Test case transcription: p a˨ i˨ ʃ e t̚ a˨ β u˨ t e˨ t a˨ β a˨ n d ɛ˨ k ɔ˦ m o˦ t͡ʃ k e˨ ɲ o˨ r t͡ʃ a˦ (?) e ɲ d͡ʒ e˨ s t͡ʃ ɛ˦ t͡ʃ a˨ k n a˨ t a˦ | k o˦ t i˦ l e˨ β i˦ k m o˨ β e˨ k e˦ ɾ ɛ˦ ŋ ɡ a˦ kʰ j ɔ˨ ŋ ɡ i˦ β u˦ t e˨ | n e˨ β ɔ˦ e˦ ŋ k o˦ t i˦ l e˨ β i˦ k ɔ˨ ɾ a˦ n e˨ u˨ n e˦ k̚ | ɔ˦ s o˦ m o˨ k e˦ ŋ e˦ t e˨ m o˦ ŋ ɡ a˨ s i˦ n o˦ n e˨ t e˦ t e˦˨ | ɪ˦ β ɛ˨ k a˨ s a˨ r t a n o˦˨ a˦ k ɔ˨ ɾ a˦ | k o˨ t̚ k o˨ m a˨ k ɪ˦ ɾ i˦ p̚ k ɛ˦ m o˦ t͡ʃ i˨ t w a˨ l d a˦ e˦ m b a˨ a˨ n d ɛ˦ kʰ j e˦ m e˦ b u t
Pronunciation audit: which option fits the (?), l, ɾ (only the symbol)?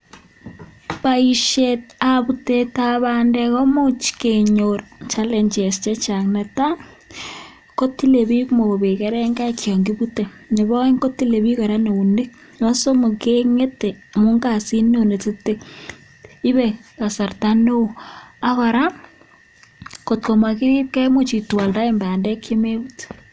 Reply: l